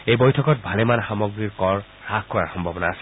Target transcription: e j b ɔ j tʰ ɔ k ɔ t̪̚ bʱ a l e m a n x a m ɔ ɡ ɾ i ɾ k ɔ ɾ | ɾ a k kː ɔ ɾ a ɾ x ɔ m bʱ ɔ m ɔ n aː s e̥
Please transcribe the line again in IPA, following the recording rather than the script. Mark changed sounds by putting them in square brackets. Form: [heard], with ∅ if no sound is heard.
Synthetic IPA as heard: e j b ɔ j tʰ ɔ k ɔ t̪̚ bʱ a l e m a n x a m ɔ ɡ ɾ i ɾ k ɔ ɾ | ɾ a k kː ɔ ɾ a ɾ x ɔ m bʱ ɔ [b] ɔ n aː s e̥